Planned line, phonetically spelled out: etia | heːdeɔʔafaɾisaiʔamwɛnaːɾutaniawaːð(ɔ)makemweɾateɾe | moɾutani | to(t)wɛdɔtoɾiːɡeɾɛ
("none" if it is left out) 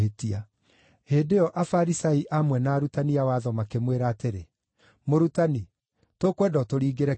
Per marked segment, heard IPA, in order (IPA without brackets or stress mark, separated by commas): ɔ, k